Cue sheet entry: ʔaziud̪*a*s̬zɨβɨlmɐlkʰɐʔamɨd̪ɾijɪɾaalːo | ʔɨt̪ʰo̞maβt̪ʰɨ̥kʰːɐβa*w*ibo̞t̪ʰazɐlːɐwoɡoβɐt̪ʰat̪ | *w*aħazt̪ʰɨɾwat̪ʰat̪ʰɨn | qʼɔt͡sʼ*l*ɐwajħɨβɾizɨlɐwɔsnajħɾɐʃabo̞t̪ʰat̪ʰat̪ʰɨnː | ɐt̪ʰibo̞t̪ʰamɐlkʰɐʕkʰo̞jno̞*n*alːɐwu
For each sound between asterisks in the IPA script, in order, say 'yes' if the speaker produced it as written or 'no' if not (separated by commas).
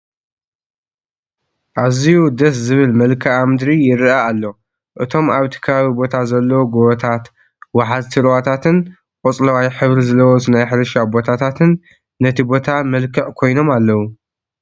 no, no, yes, yes, no